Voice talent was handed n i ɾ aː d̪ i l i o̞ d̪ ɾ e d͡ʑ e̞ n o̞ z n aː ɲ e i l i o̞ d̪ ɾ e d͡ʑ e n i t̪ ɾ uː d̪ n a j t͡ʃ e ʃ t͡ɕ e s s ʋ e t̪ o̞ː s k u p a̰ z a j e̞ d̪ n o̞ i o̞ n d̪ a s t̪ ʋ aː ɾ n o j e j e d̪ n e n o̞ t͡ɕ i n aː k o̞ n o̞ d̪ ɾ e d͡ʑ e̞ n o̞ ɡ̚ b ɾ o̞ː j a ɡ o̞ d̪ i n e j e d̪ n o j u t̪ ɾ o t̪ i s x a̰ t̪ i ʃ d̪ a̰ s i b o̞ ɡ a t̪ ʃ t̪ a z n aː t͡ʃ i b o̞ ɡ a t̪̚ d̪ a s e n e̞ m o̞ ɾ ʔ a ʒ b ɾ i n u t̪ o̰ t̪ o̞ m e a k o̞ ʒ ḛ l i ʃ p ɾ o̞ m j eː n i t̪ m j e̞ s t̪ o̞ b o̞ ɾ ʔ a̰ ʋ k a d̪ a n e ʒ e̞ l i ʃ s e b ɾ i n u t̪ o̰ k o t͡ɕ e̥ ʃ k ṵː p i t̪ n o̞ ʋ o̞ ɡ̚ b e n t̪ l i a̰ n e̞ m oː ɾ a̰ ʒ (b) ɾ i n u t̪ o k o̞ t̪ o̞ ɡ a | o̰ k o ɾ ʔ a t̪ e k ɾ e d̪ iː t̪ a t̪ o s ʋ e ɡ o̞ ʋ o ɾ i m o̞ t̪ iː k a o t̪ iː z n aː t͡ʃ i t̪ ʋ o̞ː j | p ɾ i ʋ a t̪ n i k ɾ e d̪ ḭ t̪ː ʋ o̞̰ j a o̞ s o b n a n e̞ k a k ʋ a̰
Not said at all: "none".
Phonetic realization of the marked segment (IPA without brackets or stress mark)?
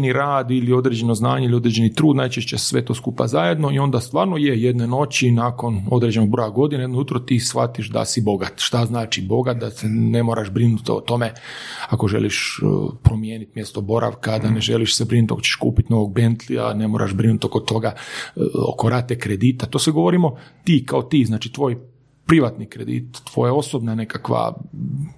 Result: b